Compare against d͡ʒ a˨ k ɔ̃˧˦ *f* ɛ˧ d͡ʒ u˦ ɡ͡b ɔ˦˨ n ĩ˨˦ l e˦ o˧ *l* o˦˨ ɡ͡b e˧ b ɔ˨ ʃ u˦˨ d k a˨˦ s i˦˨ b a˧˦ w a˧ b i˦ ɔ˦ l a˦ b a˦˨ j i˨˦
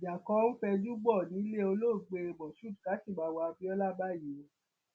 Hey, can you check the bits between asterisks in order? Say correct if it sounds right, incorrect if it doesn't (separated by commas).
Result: correct, correct